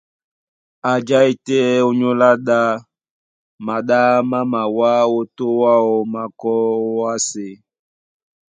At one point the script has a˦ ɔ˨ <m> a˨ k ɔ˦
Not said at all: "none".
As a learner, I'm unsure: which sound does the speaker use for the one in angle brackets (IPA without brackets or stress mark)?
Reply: m